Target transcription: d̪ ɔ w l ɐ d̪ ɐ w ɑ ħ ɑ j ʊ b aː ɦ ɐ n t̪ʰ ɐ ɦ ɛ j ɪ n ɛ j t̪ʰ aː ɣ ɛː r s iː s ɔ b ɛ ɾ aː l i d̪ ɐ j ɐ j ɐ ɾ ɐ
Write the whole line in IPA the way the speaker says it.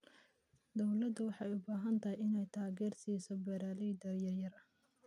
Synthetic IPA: d̪ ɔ w l ɐ d̪ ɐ w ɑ ħ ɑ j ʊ b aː ɦ ɐ n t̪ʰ ɐ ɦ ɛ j ɪ n ɛ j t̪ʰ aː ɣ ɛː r s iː s ɔ b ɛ ɾ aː l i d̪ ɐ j ɐ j ɐ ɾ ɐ